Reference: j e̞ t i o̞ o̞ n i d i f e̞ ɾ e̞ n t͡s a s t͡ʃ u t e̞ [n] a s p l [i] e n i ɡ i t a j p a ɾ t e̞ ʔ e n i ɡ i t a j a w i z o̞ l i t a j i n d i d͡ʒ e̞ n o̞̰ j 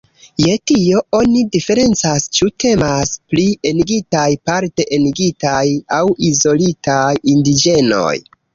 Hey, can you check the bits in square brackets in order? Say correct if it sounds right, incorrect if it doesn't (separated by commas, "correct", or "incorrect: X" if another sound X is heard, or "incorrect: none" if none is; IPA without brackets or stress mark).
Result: incorrect: m, correct